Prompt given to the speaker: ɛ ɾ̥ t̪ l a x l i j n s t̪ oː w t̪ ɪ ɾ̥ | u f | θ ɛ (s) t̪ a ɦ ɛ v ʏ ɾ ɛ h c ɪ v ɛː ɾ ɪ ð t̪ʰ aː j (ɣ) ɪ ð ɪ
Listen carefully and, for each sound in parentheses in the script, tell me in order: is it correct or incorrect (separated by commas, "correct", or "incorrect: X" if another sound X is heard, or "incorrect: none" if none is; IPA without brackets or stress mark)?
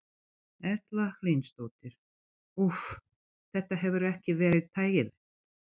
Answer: incorrect: h, correct